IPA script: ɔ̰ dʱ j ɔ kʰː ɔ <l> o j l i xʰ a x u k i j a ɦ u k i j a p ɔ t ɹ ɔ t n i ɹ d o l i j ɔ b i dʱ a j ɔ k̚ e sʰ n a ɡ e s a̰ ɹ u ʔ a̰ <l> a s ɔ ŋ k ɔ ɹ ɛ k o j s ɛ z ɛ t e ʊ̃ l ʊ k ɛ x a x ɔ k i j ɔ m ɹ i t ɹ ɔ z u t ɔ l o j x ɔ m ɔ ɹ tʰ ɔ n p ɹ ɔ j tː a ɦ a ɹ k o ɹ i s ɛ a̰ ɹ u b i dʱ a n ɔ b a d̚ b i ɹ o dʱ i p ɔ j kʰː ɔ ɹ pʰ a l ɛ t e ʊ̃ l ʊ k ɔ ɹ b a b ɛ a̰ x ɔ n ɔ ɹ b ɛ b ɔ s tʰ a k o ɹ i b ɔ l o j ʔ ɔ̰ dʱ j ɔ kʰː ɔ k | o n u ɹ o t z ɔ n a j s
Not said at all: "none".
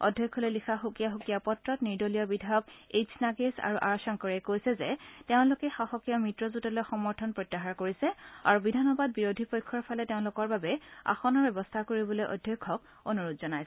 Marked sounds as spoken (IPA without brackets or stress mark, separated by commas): l, ɹ